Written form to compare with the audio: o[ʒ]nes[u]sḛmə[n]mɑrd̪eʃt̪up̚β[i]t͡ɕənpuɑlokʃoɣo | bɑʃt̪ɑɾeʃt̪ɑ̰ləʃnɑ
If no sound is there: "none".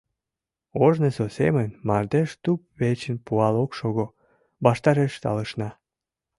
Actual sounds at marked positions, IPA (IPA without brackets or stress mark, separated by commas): ʒ, o, n, e